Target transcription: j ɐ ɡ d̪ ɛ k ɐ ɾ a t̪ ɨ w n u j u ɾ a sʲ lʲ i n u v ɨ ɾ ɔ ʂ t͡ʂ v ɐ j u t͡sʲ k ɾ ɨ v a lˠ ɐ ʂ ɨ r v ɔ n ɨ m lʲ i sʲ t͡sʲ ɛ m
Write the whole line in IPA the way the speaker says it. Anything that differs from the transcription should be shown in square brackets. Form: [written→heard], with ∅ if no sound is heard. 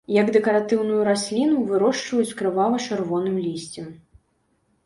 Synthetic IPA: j ɐ ɡ d̪ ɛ k ɐ ɾ a t̪ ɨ w n u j u ɾ a sʲ lʲ i n u v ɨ ɾ ɔ ʂ t͡ʂ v ɐ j u t͡sʲ k ɾ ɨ v a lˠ ɐ [ʂ→t͡ʂ] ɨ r v ɔ n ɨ m lʲ i sʲ t͡sʲ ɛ m